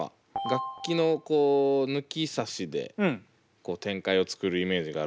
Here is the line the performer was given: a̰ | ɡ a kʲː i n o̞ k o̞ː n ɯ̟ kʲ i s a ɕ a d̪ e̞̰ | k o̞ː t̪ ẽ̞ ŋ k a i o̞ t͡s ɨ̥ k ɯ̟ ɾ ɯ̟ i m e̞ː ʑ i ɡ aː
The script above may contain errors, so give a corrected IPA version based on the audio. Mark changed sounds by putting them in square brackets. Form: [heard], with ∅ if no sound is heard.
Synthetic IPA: a̰ | ɡ a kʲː i n o̞ k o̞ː n ɯ̟ kʲ i s a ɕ [i] d̪ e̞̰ | k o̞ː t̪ ẽ̞ ŋ k a i o̞ t͡s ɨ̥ k ɯ̟ ɾ ɯ̟ i m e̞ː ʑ i ɡ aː